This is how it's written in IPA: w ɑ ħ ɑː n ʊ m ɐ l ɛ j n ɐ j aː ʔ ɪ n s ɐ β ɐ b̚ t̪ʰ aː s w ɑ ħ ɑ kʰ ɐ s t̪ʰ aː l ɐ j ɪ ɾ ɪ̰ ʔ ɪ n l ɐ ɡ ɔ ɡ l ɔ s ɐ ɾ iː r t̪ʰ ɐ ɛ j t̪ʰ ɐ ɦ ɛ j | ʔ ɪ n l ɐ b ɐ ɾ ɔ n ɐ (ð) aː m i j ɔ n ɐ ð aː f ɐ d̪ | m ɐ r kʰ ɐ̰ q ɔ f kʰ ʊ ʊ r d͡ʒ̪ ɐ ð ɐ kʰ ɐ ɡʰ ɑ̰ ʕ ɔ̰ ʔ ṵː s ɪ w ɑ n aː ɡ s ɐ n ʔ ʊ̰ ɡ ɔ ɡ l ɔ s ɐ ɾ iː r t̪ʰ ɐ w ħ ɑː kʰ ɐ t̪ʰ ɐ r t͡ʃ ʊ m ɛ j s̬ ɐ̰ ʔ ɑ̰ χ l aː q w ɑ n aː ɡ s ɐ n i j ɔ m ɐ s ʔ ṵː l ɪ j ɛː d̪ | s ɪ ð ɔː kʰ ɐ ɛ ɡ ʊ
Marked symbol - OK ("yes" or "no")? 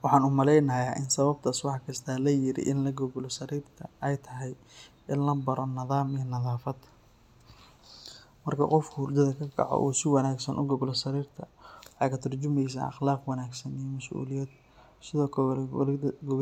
yes